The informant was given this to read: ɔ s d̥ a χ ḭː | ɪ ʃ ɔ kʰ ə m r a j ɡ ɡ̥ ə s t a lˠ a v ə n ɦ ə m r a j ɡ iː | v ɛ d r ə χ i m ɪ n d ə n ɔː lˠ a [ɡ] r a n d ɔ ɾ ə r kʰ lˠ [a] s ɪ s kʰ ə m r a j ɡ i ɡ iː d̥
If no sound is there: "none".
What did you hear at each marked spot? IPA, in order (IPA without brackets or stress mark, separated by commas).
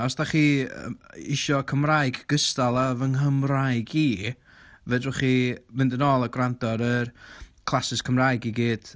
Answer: ɡ, a